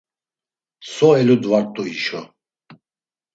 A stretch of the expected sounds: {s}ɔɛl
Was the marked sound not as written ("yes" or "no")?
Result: no